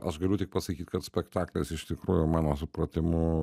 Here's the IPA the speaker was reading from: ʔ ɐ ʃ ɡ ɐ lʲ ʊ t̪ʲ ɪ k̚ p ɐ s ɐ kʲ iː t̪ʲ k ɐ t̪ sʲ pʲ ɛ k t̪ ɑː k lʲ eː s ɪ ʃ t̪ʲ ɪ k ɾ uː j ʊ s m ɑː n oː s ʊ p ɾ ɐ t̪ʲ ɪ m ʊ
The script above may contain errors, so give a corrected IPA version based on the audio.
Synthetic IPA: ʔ ɐ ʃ ɡ ɐ lʲ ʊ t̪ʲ ɪ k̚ p ɐ s ɐ kʲ iː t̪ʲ k ɐ t̪ sʲ pʲ ɛ k t̪ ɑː k lʲ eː s ɪ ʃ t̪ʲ ɪ k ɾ uː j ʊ m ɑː n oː s ʊ p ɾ ɐ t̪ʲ ɪ m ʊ

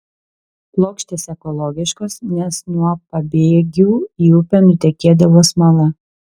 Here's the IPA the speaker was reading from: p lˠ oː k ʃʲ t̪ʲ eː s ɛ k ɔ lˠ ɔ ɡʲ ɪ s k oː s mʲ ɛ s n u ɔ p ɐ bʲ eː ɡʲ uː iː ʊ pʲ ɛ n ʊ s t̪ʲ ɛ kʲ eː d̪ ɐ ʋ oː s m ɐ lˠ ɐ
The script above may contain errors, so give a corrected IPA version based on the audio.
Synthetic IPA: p lˠ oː k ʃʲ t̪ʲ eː s ɛ k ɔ lˠ ɔ ɡʲ ɪ ʃ k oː s nʲ ɛ s n u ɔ p ɐ bʲ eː ɡʲ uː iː ʊ pʲ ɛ n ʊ t̪ʲ ɛ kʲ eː d̪ ɐ ʋ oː s m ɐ lˠ ɐ

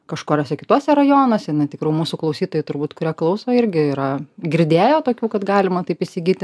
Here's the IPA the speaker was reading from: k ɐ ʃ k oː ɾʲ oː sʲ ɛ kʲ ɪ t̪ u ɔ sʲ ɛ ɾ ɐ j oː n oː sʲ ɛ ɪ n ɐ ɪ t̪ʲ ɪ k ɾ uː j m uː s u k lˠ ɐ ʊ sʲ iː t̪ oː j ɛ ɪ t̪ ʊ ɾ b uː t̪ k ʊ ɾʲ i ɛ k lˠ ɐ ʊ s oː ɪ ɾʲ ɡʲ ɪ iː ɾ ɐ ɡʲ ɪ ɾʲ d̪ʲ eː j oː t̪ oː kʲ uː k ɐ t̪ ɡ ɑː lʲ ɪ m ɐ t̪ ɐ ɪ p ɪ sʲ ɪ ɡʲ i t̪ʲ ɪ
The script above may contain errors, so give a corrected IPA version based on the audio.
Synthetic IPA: k ɐ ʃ k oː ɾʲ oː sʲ ɛ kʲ ɪ t̪ u ɔ sʲ ɛ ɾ ɐ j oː n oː sʲ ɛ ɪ n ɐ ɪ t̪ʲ ɪ k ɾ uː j m uː s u k lˠ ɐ ʊ sʲ iː t̪ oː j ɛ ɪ t̪ ʊ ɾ b uː t̪ k ʊ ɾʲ i ɛ k lˠ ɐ ʊ s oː ɪ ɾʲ ɡʲ ɪ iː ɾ ɐ ɡʲ ɪ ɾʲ d̪ʲ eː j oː t̪ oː kʲ uː k ɐ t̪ ɡ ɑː lʲ ɪ m ɐ t̪ ɐ ɪ p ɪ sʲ ɪ ɡʲ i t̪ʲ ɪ

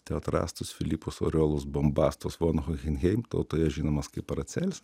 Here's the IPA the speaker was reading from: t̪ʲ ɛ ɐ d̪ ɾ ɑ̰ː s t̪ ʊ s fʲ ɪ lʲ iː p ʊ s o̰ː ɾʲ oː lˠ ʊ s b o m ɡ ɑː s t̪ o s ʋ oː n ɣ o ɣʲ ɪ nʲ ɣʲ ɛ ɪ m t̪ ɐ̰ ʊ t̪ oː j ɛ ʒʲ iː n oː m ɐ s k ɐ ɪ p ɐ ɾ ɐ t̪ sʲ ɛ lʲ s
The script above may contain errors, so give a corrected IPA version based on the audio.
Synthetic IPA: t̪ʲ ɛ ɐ t̪ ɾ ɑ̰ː s t̪ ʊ s fʲ ɪ lʲ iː p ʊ s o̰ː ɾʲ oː lˠ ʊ s b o m b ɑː s t̪ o s ʋ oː n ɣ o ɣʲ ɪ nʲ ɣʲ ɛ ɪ m t̪ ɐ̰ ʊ t̪ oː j ɛ ʒʲ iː n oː m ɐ s k ɐ ɪ p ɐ ɾ ɐ t̪ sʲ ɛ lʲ s

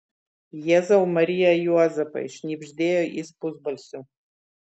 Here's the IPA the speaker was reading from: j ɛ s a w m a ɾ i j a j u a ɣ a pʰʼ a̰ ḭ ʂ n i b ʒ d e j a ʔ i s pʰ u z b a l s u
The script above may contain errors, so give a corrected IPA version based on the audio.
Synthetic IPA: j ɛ z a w m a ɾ i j a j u a z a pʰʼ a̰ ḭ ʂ n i b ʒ d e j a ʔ i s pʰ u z b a l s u

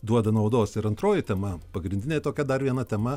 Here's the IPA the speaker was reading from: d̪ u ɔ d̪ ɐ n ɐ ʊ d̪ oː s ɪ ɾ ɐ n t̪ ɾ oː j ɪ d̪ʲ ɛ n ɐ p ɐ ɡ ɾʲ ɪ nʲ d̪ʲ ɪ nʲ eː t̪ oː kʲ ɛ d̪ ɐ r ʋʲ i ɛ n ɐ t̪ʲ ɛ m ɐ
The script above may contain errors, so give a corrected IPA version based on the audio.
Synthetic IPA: d̪ u ɔ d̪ ɐ n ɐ ʊ d̪ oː s ɪ ɾ ɐ n t̪ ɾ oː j ɪ t̪ʲ ɛ m ɐ p ɐ ɡ ɾʲ ɪ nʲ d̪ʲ ɪ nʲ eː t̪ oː kʲ ɛ d̪ ɐ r ʋʲ i ɛ n ɐ t̪ʲ ɛ m ɐ

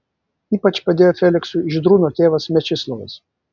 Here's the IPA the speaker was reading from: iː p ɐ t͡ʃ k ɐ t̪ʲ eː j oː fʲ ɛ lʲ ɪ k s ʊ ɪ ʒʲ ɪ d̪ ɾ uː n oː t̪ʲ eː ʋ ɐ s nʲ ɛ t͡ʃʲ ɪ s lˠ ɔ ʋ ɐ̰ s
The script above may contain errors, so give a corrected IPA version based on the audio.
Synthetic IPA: iː p ɐ t͡ʃ p ɐ d̪ʲ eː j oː fʲ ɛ lʲ ɪ k s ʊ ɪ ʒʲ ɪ d̪ ɾ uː n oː t̪ʲ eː ʋ ɐ s mʲ ɛ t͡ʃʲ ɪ s lˠ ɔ ʋ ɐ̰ s

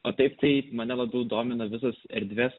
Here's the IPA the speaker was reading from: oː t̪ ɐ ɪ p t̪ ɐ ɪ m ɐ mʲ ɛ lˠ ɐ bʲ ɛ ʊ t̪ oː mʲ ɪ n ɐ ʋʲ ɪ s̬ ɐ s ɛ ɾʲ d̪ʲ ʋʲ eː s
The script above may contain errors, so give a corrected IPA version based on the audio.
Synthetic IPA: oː t̪ ɐ ɪ p t̪ ɐ ɪ m ɐ nʲ ɛ lˠ ɐ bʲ ɛ ʊ d̪ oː mʲ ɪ n ɐ ʋʲ ɪ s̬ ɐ s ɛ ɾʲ d̪ʲ ʋʲ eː s

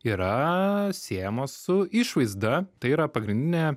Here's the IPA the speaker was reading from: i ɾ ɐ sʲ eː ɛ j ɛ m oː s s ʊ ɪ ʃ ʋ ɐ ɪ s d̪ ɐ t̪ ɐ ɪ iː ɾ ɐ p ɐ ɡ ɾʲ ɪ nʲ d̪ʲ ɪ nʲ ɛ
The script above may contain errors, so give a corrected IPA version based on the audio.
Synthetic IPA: i ɾ ɐ sʲ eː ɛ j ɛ m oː s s ʊ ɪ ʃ ʋ ɐ ɪ z d̪ ɐ t̪ ɐ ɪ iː ɾ ɐ p ɐ ɡ ɾʲ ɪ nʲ d̪ʲ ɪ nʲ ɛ

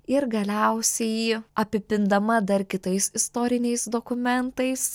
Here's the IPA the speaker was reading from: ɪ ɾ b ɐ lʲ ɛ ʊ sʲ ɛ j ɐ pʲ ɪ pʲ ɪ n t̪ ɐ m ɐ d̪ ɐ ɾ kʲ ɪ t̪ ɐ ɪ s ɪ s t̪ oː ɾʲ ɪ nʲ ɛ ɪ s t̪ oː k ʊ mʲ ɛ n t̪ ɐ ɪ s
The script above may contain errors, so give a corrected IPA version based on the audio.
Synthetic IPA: ɪ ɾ ɡ ɐ lʲ ɛ ʊ sʲ ɛ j ɐ pʲ ɪ pʲ ɪ n d̪ ɐ m ɐ d̪ ɐ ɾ kʲ ɪ t̪ ɐ ɪ s ɪ s t̪ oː ɾʲ ɪ nʲ ɛ ɪ s d̪ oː k ʊ mʲ ɛ n t̪ ɐ ɪ s

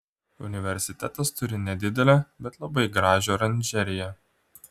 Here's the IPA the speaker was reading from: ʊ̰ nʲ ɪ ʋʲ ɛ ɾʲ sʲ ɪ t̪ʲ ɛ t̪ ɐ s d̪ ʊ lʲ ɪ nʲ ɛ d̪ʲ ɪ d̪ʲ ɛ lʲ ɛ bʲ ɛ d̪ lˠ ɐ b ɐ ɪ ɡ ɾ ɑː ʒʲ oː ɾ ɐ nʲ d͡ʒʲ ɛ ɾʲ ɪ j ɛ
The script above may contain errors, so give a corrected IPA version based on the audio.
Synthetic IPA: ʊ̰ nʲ ɪ ʋʲ ɛ ɾʲ sʲ ɪ t̪ʲ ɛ t̪ ɐ s t̪ ʊ ɾʲ ɪ nʲ ɛ d̪ʲ ɪ d̪ʲ ɛ lʲ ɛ bʲ ɛ t̪ lˠ ɐ b ɐ ɪ ɡ ɾ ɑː ʒʲ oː ɾ ɐ nʲ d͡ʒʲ ɛ ɾʲ ɪ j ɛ

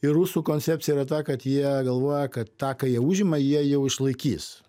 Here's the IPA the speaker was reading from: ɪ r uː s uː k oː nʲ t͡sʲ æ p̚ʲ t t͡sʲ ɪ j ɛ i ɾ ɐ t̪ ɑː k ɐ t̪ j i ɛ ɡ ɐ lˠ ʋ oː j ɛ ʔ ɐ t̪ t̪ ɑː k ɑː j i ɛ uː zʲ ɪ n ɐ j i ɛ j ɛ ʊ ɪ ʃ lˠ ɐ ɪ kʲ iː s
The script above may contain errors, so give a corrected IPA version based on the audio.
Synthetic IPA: ɪ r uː s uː k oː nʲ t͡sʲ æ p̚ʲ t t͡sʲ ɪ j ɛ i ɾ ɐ t̪ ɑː k ɐ t̪ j i ɛ ɡ ɐ lˠ ʋ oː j ɛ k ɐ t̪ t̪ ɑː k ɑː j i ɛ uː ʒʲ ɪ m ɐ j i ɛ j ɛ ʊ ɪ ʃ lˠ ɐ ɪ kʲ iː s

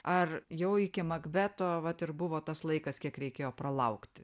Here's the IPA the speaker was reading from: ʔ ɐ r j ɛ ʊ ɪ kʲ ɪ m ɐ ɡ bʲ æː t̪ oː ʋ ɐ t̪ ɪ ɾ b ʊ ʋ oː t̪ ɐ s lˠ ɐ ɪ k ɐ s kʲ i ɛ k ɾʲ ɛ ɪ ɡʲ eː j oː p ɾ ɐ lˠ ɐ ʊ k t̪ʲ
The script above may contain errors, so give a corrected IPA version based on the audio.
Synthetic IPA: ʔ ɐ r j ɛ ʊ ɪ kʲ ɪ m ɐ ɡ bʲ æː t̪ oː ʋ ɐ t̪ ɪ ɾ b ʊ ʋ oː t̪ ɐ s lˠ ɐ ɪ k ɐ s kʲ i ɛ k ɾʲ ɛ ɪ kʲ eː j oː p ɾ ɐ lˠ ɐ ʊ k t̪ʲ

